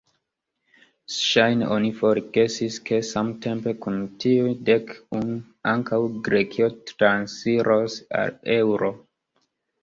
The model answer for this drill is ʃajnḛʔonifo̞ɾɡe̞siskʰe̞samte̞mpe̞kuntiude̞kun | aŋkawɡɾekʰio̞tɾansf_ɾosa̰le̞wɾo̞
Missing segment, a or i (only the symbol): i